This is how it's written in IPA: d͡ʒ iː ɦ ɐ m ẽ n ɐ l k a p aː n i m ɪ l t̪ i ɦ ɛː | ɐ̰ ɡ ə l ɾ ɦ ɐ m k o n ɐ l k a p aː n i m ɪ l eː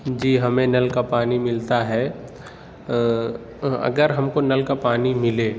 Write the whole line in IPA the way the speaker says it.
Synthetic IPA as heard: d͡ʒ iː ɦ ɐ m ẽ n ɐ l k a p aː n i m ɪ l t̪ a ɦ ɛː | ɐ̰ ɡ ə ɾ ɦ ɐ m k o n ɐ l k a p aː n i m ɪ l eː

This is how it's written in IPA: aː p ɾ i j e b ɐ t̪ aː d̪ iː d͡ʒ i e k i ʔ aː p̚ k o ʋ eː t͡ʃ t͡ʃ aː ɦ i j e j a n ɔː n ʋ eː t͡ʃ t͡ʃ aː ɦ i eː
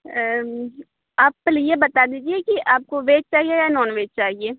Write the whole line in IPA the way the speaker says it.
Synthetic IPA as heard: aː p l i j e b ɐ t̪ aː d̪ iː d͡ʒ i e k i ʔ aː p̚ k o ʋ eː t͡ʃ t͡ʃ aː ɦ i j e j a n ɔː n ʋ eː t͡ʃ t͡ʃ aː ɦ i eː

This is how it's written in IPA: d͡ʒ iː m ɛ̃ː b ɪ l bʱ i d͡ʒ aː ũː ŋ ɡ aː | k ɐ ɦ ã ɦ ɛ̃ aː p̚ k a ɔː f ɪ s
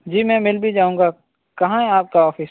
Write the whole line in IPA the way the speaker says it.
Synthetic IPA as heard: d͡ʒ iː m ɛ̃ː m ɪ l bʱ i d͡ʒ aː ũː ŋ ɡ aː | k ɐ ɦ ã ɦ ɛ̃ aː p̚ k a ɔː f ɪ s

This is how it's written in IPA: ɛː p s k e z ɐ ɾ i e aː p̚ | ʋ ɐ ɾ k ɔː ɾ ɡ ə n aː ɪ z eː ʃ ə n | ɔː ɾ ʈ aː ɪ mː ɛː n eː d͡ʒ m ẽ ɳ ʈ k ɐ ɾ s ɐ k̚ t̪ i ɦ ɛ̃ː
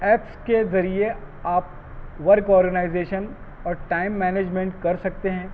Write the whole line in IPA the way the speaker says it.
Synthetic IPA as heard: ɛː p s k e z ɐ ɾ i e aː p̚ | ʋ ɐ ɾ k ɔː ɾ ɡ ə n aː ɪ z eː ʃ ə n | ɔː ɾ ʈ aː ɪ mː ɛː n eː d͡ʒ m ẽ ɳ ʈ k ɐ ɾ s ɐ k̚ t̪ e ɦ ɛ̃ː

